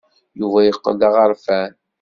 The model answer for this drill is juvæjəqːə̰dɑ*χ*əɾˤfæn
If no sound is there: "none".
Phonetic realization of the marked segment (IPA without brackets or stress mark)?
ʁ